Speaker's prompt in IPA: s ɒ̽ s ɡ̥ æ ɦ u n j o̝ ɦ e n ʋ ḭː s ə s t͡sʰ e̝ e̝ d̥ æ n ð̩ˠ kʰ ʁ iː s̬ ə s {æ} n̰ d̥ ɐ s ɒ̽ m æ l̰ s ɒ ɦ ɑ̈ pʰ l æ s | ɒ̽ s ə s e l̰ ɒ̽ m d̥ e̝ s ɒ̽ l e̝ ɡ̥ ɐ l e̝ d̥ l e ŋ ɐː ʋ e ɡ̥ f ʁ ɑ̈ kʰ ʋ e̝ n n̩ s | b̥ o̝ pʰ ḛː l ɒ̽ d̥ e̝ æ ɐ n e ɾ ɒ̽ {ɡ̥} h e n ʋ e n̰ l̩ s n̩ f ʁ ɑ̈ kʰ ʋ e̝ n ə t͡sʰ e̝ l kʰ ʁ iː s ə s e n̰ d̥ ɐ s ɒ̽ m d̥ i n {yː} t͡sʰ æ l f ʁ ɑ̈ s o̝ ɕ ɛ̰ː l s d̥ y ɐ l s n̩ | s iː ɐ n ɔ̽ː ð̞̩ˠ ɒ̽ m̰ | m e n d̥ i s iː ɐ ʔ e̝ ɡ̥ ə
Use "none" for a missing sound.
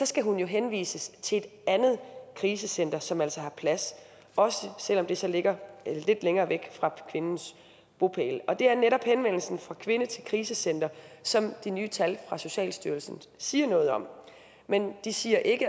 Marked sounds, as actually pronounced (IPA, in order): e, b̥, yː

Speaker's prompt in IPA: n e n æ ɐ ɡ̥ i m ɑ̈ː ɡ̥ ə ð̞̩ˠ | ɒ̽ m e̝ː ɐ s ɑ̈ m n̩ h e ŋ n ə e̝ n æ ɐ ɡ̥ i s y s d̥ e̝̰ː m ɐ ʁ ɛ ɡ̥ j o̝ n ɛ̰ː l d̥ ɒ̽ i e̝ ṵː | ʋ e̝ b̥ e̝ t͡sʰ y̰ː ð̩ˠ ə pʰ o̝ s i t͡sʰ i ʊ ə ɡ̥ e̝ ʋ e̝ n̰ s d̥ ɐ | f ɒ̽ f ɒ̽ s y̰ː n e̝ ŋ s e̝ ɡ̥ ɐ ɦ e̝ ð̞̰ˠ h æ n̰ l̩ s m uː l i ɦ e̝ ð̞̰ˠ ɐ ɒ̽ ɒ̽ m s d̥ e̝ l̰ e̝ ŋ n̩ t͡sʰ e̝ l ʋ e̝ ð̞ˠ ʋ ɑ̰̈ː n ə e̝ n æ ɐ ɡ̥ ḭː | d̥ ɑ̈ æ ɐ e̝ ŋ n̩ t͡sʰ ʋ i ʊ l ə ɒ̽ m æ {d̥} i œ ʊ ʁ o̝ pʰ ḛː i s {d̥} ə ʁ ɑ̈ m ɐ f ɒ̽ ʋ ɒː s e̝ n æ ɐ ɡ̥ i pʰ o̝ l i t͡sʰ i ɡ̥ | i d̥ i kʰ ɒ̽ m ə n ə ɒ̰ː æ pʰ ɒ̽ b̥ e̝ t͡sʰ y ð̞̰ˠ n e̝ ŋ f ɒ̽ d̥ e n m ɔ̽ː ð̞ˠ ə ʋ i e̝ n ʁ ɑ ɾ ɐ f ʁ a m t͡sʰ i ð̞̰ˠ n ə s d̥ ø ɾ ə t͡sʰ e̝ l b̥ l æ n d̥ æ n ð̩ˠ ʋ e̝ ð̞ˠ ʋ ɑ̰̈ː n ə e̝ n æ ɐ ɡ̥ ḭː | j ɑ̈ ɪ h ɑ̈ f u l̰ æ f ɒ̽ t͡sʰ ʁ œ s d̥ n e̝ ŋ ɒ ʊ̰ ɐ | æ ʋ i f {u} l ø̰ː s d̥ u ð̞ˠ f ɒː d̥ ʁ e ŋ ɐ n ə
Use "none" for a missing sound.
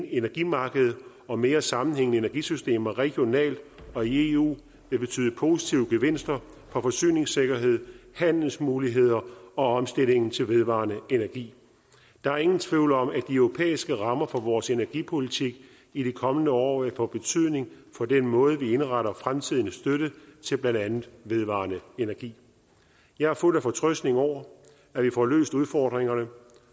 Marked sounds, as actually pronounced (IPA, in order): d̥, ɡ̥, ɒ

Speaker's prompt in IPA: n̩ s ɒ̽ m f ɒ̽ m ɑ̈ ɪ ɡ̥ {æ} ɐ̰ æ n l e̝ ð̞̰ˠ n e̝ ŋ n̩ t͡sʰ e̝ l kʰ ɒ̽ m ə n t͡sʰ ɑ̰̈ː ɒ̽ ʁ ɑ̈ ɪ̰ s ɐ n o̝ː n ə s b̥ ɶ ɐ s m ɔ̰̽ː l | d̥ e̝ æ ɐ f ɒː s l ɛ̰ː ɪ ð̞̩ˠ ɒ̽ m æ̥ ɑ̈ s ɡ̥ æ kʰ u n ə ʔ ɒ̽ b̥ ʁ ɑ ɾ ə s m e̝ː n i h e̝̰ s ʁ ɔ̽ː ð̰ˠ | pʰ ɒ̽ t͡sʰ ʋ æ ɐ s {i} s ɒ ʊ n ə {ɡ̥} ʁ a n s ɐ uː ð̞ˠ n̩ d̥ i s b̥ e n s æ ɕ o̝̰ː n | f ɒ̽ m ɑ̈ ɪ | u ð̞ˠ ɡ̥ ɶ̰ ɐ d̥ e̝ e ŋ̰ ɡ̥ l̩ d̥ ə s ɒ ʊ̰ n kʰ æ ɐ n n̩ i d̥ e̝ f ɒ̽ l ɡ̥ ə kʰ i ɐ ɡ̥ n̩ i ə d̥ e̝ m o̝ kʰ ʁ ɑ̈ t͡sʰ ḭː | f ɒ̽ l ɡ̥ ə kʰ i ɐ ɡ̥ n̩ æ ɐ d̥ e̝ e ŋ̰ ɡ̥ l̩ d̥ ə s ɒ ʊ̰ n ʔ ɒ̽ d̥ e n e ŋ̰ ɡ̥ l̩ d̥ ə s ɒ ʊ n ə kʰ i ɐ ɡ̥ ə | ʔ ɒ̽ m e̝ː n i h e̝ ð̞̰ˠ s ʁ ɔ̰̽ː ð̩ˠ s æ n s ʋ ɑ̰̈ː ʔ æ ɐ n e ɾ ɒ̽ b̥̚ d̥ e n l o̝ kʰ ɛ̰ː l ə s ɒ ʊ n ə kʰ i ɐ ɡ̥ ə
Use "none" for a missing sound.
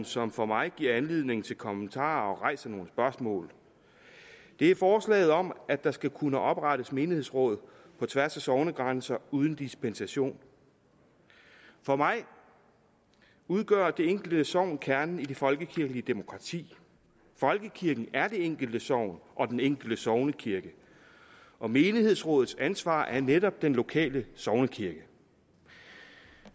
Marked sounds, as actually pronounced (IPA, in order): i, æ, ɡ̥

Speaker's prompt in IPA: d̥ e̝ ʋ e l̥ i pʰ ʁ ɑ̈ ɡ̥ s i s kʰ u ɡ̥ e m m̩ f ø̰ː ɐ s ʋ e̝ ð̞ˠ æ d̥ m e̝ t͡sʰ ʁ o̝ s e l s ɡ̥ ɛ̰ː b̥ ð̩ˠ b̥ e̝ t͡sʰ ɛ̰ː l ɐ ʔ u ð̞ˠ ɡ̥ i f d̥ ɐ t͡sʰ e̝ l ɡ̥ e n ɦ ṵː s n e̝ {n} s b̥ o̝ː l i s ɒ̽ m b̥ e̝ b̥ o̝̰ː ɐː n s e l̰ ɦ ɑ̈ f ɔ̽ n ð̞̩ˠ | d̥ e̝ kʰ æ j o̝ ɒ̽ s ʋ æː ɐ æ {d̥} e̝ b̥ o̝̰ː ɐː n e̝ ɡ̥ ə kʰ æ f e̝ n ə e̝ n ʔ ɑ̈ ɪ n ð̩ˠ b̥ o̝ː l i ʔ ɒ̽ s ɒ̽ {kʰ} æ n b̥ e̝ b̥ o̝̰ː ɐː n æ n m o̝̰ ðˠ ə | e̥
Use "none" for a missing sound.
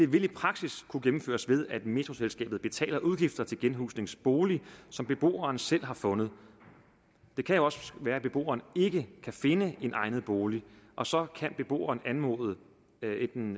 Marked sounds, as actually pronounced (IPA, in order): ŋ, b̥, kʰ

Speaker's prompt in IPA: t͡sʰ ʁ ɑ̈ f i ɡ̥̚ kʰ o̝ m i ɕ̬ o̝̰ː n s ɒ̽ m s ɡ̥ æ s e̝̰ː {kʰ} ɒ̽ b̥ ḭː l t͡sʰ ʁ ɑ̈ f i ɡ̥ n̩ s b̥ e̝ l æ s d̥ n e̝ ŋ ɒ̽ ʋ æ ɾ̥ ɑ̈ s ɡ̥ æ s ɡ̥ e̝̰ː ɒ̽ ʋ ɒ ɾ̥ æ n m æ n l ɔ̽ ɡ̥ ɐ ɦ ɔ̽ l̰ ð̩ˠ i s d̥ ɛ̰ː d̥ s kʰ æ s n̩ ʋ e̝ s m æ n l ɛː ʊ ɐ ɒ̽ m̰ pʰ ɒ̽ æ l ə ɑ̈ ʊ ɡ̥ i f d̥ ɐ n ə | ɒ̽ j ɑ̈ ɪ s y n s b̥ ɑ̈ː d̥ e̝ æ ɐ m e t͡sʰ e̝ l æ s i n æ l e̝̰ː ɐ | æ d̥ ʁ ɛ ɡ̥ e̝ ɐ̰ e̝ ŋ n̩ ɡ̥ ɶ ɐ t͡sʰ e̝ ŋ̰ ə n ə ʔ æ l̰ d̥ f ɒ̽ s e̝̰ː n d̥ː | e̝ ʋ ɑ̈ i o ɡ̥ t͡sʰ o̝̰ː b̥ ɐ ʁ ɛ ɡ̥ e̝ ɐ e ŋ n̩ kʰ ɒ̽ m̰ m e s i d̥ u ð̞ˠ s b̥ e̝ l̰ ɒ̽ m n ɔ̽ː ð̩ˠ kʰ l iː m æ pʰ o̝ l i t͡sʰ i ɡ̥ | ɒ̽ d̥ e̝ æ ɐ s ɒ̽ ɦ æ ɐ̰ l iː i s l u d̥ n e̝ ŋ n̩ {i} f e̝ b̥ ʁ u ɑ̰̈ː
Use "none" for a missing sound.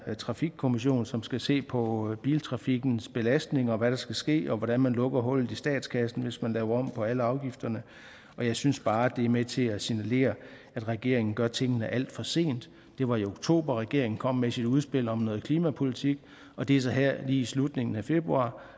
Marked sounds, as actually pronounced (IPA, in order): pʰ, æ

